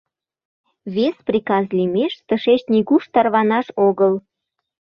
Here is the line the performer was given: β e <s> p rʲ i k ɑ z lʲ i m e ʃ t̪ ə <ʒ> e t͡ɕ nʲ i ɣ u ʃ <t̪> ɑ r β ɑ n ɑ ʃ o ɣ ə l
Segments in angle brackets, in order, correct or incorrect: correct, incorrect: ʃ, correct

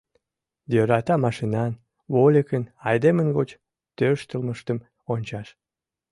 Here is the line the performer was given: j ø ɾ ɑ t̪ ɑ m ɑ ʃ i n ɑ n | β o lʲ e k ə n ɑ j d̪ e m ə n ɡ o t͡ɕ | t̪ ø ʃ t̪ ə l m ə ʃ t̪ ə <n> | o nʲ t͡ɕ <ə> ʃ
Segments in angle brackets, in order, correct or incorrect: incorrect: m, incorrect: ɑ

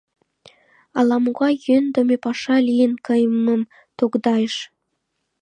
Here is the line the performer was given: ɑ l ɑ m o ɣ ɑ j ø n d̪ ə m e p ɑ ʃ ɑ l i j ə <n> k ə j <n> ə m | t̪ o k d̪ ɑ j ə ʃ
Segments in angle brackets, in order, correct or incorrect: correct, incorrect: m

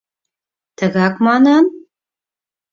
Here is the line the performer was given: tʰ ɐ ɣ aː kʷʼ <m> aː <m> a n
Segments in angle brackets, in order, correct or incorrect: correct, incorrect: n

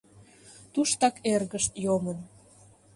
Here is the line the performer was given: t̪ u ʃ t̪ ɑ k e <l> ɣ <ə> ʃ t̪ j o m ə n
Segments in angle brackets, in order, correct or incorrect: incorrect: r, correct

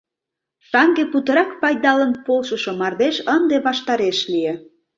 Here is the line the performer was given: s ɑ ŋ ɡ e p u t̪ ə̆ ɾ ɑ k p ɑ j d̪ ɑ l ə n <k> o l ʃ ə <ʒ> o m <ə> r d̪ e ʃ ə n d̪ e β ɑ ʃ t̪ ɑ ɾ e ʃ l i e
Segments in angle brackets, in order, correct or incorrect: incorrect: p, incorrect: ʃ, incorrect: ɑ

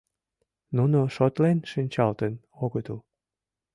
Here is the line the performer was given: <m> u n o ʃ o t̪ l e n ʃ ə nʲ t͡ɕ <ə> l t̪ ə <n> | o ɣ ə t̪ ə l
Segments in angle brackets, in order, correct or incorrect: incorrect: n, incorrect: ɑ, correct

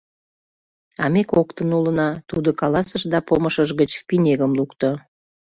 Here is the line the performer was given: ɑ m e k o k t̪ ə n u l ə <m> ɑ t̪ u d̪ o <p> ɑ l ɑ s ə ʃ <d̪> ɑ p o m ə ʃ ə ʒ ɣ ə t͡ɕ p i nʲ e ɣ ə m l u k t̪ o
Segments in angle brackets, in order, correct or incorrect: incorrect: n, incorrect: k, correct

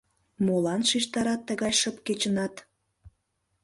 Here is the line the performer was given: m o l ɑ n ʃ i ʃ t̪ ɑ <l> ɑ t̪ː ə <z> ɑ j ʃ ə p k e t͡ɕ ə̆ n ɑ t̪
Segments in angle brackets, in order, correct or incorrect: incorrect: ɾ, incorrect: ɣ

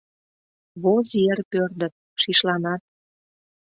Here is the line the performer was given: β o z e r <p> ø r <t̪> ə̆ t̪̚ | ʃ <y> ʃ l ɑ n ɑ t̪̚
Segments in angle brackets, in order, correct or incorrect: correct, incorrect: d̪, incorrect: i

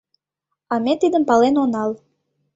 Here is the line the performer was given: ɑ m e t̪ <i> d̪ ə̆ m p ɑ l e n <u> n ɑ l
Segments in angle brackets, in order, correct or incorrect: correct, incorrect: o

